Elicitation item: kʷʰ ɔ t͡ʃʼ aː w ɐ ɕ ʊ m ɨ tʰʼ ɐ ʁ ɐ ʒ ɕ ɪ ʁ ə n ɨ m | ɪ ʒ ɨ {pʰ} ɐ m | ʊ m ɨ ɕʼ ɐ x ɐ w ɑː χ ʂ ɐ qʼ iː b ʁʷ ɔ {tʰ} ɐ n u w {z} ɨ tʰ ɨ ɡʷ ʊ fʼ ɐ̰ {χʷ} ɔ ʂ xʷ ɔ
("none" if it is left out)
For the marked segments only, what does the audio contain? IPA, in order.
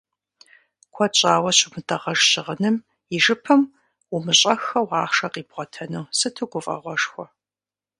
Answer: pʰ, tʰ, s, ʁʷ

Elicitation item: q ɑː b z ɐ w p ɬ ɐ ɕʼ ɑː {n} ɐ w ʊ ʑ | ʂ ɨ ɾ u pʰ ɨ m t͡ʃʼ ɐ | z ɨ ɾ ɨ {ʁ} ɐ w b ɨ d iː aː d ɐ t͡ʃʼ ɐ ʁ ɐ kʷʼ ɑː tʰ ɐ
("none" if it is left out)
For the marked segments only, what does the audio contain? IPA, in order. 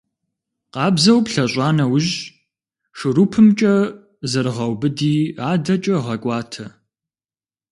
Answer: n, ʁ

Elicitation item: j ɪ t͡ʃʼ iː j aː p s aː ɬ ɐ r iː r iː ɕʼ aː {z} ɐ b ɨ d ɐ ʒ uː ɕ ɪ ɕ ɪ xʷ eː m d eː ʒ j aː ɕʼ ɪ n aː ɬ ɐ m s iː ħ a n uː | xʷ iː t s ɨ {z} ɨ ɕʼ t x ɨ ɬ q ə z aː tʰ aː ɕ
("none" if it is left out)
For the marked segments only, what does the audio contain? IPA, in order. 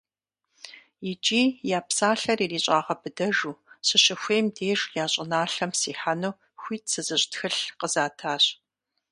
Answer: ʁ, z

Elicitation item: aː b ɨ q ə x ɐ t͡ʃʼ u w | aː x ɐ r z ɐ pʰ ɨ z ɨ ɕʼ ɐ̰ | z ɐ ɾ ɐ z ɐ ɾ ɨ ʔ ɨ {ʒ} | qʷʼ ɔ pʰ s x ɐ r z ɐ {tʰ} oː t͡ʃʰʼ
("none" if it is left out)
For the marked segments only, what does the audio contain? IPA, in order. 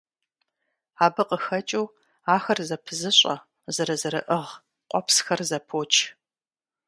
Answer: ʁ, pʰ

